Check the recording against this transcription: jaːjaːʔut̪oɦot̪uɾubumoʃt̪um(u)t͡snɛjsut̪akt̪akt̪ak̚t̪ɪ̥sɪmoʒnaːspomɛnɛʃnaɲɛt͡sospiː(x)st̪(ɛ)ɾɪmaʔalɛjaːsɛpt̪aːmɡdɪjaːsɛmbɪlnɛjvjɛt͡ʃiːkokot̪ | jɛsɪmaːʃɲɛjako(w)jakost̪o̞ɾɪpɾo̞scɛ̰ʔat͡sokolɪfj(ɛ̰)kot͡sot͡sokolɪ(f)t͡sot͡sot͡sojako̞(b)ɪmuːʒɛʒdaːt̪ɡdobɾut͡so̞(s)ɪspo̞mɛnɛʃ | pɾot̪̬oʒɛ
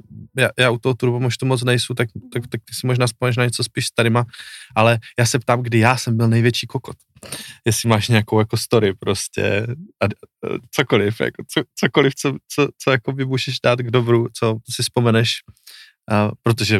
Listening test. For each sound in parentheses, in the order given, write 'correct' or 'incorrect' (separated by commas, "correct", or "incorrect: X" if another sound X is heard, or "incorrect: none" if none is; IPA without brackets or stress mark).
incorrect: o, incorrect: ʃ, incorrect: a, correct, incorrect: a̰, correct, correct, correct